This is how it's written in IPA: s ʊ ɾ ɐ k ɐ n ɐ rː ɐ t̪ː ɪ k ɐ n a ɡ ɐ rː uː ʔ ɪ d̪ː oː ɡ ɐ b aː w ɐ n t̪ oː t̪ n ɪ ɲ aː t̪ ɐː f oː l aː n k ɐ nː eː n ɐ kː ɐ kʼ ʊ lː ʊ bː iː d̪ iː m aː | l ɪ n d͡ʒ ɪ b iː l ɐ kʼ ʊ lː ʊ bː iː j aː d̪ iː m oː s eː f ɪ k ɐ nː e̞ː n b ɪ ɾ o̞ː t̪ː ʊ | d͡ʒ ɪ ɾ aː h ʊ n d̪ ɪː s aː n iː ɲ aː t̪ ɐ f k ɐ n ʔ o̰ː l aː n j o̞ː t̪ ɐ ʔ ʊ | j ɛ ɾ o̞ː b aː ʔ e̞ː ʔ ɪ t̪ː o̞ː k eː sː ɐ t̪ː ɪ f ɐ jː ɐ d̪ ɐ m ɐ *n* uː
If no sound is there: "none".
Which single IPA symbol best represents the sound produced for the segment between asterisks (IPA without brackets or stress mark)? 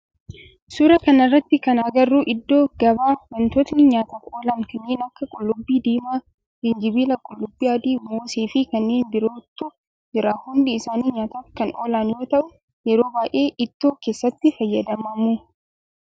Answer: m